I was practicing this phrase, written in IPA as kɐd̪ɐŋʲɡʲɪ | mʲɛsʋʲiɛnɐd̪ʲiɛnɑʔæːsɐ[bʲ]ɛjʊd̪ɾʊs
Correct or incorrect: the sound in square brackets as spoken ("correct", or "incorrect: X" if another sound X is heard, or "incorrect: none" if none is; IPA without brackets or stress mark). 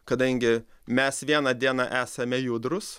incorrect: mʲ